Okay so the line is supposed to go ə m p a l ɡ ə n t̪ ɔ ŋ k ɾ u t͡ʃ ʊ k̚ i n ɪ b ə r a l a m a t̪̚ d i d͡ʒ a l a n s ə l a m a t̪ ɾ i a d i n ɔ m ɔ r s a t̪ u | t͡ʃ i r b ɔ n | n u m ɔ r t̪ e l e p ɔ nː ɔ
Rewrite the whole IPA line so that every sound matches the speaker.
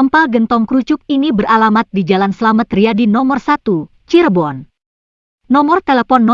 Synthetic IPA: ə m p a l ɡ ə n t̪ ɔ ŋ k ɾ u t͡ʃ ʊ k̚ i n i b ə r a l a m a t̪̚ d i d͡ʒ a l a n s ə l a m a t̪ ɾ i a d i n ɔ m ɔ r s a t̪ u | t͡ʃ i r b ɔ n | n ɔ m ɔ r t̪ e l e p ɔ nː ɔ